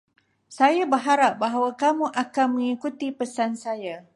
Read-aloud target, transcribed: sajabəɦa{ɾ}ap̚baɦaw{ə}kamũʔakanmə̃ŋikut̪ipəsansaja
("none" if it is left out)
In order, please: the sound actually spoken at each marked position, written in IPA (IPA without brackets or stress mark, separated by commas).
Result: ɾ, a